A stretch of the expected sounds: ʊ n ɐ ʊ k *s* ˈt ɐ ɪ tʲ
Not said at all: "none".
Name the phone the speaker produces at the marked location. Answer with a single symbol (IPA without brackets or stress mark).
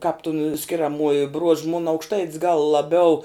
ʃ